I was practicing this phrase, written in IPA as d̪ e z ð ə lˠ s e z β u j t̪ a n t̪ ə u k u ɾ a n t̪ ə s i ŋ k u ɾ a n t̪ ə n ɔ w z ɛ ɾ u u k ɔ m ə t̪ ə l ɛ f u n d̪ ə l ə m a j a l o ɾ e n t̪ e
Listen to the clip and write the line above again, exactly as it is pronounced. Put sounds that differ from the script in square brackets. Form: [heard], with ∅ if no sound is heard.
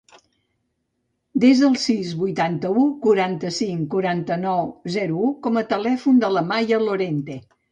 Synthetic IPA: d̪ e z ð ə lˠ s [i] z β u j t̪ a n t̪ ə u k u ɾ a n t̪ ə s i ŋ k u ɾ a n t̪ ə n ɔ w z ɛ ɾ u u k ɔ m ə t̪ ə l ɛ f u n d̪ ə l ə m a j [ə] l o ɾ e n t̪ e